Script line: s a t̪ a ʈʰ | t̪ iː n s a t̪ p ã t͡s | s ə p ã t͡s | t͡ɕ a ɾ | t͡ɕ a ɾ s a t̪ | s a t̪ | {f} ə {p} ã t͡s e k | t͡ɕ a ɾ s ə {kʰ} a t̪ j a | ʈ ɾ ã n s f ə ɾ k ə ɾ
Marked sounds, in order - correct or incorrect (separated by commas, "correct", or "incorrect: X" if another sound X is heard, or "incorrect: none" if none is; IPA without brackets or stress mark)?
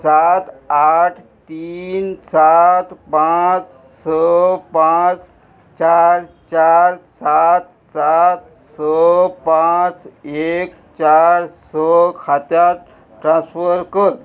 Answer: incorrect: s, correct, correct